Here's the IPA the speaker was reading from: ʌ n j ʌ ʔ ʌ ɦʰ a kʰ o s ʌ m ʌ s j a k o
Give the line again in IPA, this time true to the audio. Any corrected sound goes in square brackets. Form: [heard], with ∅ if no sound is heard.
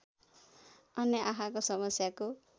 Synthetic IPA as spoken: ʌ n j ʌ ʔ [a] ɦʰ a [k] o s ʌ m ʌ s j a k o